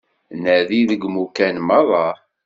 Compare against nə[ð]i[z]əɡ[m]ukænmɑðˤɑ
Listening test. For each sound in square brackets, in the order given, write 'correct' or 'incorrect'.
correct, incorrect: ð, correct

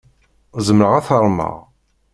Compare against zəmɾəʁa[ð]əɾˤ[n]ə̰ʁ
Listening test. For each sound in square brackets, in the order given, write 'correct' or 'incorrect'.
incorrect: θ, incorrect: m

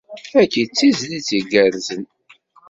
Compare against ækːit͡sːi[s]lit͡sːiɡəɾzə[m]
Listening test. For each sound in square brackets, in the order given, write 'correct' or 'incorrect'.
incorrect: z, incorrect: n

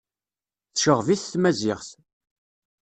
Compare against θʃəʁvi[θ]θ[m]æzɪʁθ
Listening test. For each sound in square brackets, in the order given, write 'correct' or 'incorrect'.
correct, correct

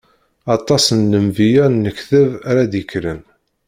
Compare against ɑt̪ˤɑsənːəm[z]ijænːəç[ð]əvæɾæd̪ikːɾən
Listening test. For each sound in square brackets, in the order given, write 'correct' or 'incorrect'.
incorrect: v, incorrect: θ

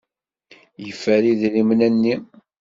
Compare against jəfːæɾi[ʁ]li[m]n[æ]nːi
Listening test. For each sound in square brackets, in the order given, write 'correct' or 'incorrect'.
incorrect: ð, correct, correct

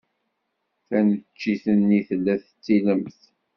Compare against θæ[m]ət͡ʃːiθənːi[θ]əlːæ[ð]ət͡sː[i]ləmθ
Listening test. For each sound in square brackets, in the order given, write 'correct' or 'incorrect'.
incorrect: n, correct, incorrect: θ, correct

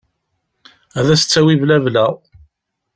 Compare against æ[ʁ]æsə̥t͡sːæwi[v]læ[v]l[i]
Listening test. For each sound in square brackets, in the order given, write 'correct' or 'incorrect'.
incorrect: ð, correct, correct, incorrect: æ

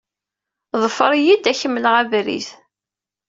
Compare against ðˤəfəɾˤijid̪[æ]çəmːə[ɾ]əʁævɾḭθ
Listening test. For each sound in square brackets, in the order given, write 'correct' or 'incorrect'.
correct, incorrect: l

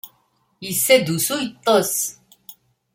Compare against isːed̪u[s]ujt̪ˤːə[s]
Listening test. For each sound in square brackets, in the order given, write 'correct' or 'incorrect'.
correct, correct

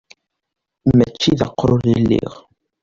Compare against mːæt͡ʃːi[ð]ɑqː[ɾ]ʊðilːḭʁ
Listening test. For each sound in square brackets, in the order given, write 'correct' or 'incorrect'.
correct, correct

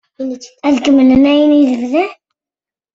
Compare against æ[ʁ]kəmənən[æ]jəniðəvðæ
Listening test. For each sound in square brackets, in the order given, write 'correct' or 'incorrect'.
incorrect: ð, correct

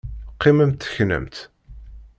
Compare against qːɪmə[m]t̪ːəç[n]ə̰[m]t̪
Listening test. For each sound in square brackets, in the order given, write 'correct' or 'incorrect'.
correct, correct, correct

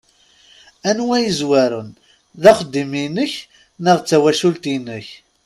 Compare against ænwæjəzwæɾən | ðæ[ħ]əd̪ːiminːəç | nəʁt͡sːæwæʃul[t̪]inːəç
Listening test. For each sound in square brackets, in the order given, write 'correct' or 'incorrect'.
incorrect: χ, correct

